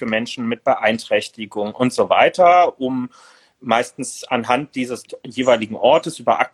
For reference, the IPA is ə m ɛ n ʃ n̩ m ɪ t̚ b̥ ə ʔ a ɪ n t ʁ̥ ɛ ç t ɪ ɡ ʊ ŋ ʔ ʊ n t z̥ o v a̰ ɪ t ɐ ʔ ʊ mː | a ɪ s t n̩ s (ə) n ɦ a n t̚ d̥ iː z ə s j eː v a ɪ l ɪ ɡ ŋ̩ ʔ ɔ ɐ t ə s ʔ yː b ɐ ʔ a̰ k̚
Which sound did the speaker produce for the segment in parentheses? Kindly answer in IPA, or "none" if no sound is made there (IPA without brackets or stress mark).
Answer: a